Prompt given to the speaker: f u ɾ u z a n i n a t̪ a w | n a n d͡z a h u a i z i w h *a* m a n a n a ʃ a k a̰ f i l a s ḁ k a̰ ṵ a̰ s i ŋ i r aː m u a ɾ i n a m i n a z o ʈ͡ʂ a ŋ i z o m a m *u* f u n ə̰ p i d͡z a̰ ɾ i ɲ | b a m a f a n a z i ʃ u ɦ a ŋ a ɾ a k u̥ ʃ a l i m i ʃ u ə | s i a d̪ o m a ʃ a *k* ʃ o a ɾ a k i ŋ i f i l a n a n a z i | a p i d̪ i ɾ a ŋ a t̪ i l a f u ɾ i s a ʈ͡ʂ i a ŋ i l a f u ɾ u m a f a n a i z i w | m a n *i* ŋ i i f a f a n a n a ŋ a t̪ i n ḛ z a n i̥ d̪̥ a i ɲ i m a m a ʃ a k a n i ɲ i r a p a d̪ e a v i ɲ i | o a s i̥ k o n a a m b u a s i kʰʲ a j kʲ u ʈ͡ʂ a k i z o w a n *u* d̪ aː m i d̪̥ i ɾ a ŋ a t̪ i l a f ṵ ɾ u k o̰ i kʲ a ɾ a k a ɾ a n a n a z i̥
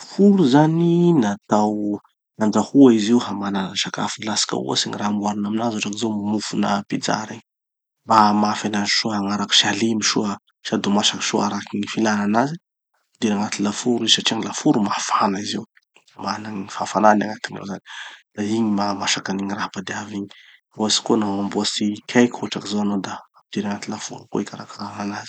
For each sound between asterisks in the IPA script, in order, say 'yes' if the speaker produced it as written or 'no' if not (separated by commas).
yes, yes, yes, no, no